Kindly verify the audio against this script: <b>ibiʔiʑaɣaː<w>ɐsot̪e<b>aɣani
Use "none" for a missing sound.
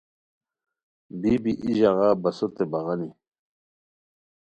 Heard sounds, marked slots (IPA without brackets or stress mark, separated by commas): b, b, b